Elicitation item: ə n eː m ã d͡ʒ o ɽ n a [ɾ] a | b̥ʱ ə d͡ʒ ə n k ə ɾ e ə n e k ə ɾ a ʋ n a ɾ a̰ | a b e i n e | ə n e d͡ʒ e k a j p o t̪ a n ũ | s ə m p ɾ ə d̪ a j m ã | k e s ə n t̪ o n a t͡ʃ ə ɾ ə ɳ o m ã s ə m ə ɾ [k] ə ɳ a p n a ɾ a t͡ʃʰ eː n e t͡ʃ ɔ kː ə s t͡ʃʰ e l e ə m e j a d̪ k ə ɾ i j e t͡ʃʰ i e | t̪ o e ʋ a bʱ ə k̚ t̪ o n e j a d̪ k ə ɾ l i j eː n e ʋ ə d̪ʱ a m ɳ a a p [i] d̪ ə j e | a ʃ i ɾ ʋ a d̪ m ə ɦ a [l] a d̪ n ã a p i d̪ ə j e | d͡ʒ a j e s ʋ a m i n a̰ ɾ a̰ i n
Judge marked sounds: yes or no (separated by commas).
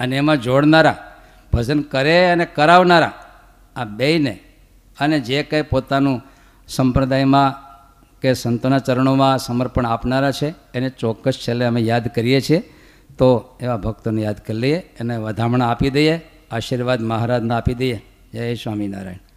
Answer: yes, no, yes, no